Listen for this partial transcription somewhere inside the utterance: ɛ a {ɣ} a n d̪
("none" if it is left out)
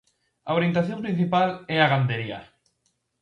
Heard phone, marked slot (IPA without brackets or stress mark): ɣ